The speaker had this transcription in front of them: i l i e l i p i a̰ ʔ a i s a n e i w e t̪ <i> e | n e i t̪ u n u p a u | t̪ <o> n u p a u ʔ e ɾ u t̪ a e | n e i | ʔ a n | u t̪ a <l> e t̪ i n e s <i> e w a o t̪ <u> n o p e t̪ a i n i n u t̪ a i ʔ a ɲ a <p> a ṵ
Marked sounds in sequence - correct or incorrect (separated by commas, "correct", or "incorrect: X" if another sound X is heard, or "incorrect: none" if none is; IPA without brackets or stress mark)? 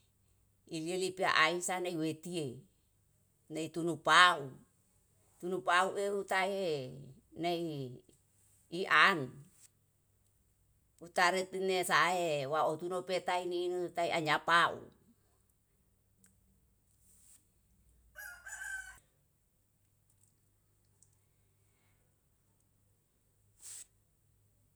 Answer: correct, incorrect: u, incorrect: ɾ, incorrect: a, correct, correct